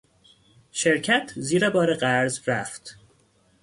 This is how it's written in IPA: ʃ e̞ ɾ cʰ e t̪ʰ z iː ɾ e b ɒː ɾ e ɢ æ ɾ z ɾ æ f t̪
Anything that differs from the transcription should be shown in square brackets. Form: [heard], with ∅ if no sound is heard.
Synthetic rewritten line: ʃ e̞ ɾ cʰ [æ] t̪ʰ z iː ɾ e b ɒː ɾ e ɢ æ ɾ z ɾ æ f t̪

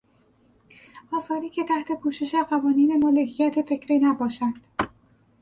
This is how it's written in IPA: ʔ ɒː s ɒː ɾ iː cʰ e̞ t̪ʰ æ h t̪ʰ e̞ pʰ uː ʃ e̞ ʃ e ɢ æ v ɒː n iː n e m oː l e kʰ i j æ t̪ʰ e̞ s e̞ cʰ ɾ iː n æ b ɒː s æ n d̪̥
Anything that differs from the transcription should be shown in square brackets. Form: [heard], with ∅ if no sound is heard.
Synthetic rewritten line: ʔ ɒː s ɒː ɾ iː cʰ e̞ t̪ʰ æ h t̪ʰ e̞ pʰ uː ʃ e̞ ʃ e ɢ æ v ɒː n iː n e m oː l e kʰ i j æ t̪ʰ e̞ [f] e̞ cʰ ɾ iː n æ b ɒː [ʃ] æ n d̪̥

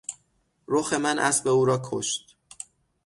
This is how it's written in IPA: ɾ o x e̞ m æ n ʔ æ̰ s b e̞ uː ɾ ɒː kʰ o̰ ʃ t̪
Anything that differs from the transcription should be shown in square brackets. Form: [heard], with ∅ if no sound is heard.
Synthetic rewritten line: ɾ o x e̞ m æ n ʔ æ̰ s b e̞ uː ɾ ɒː kʰ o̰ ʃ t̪

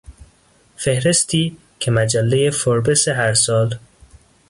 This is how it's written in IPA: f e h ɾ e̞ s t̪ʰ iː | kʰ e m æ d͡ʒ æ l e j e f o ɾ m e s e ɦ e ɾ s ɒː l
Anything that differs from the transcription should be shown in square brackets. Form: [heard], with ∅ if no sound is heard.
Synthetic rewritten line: f e h ɾ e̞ s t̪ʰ iː | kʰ e m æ d͡ʒ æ [lː] e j e f o ɾ [b] e s e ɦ [æ] ɾ s ɒː l

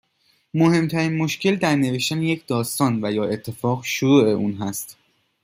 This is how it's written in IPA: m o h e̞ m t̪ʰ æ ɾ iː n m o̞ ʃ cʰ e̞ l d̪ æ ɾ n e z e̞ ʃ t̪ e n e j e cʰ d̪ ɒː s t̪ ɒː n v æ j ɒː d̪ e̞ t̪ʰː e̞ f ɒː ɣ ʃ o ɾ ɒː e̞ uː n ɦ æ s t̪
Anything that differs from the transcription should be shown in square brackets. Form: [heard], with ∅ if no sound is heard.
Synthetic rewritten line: m o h e̞ m t̪ʰ æ ɾ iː n m o̞ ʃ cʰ e̞ l d̪ æ ɾ n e [v] e̞ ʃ t̪ [æ] n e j e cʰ d̪ ɒː s t̪ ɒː n v æ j ɒː [∅] e̞ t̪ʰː e̞ f ɒː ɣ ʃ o ɾ [uː] e̞ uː n ɦ æ s t̪

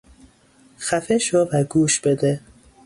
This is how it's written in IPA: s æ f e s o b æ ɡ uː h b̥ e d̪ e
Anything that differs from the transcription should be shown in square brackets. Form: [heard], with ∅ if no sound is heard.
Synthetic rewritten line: [x] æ f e [ʃ] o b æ ɡ uː [ʃ] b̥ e d̪ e

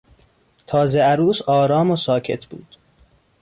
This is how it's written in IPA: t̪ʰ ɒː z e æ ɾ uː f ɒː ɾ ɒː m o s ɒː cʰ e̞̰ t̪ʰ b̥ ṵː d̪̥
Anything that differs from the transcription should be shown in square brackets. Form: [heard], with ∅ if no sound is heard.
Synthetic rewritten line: t̪ʰ ɒː z e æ ɾ uː [s] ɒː ɾ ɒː m o s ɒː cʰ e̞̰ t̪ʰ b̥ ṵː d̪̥

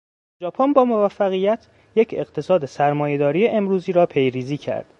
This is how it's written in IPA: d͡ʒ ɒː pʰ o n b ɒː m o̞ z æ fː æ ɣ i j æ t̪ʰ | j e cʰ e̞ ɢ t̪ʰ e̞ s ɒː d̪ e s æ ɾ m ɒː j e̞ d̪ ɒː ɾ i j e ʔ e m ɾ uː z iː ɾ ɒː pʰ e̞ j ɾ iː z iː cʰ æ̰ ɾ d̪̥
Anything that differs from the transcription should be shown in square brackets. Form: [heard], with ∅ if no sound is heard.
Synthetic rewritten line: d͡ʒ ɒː pʰ o n b ɒː m o̞ [v] æ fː æ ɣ i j æ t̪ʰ | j e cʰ e̞ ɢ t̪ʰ e̞ s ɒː d̪ e s æ ɾ m ɒː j e̞ d̪ ɒː ɾ i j e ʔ e m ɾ uː z iː ɾ ɒː pʰ e̞ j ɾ iː z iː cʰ æ̰ ɾ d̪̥

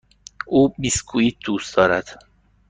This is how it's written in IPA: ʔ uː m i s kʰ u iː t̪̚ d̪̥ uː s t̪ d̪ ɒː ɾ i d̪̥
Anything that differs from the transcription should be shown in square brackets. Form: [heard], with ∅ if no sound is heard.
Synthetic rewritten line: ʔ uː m i s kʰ u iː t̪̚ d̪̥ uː s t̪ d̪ ɒː ɾ [æ] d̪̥

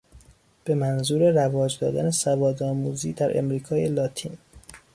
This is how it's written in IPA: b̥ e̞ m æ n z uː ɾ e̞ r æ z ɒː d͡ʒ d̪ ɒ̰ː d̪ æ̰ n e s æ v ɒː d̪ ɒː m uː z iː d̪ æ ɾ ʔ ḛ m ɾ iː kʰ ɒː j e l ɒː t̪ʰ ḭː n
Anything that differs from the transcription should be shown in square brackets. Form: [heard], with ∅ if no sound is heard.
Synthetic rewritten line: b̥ e̞ m æ n z uː ɾ e̞ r æ [v] ɒː d͡ʒ d̪ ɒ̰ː d̪ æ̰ n e s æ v ɒː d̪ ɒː m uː z iː d̪ æ ɾ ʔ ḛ m ɾ iː kʰ ɒː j e l ɒː t̪ʰ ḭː n

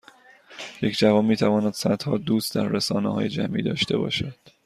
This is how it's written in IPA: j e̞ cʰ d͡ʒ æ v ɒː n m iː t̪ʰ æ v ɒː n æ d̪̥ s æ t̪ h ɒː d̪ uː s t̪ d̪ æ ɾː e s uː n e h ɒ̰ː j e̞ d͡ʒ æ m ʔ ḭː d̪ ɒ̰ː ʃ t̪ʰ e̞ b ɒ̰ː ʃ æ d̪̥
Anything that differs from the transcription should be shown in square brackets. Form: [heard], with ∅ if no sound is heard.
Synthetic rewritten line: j e̞ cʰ d͡ʒ æ v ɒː n m iː t̪ʰ æ v ɒː n æ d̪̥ s æ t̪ h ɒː d̪ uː s t̪ d̪ æ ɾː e s [ɒː] n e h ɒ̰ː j e̞ d͡ʒ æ m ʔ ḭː d̪ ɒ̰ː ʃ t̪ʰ e̞ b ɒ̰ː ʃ æ d̪̥

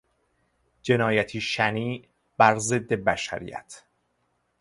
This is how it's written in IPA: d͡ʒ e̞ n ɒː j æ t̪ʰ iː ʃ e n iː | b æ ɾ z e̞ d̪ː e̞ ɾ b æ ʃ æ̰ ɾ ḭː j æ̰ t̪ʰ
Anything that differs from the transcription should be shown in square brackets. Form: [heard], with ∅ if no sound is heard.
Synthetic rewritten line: d͡ʒ e̞ n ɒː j æ t̪ʰ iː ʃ [æ] n iː | b æ ɾ z e̞ d̪ː e̞ [∅] b æ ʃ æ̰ ɾ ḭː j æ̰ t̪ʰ

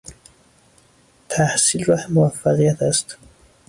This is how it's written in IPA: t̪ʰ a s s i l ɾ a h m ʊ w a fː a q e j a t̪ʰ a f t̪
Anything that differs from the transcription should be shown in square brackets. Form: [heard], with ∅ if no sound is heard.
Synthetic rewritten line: t̪ʰ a [h] s i l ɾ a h m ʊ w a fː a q [i] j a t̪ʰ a [s] t̪

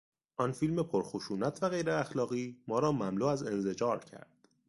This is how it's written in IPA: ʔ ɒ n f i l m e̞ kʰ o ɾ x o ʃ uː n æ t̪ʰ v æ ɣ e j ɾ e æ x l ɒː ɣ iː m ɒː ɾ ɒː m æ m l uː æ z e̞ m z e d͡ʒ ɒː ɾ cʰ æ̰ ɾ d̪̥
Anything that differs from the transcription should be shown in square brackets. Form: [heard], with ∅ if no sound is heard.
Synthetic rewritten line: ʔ ɒ n f i l m e̞ [pʰ] o ɾ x o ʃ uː n æ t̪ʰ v æ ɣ e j ɾ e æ x l ɒː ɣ iː m ɒː ɾ ɒː m æ m l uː æ z e̞ [n] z e d͡ʒ ɒː ɾ cʰ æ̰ ɾ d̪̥

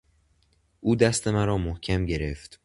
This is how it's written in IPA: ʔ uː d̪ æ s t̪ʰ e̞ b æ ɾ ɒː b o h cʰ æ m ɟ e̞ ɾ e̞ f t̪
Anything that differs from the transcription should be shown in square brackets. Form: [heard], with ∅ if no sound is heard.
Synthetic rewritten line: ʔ uː d̪ æ s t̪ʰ e̞ [m] æ ɾ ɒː [m] o h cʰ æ m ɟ e̞ ɾ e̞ f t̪

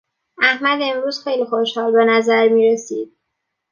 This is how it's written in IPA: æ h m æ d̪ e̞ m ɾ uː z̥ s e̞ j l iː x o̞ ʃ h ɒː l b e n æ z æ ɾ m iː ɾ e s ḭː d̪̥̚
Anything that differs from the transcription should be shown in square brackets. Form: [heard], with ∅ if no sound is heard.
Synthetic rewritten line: æ h m æ d̪ e̞ m ɾ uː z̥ [x] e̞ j l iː x o̞ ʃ h ɒː l b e n æ z æ ɾ m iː ɾ e s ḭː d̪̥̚

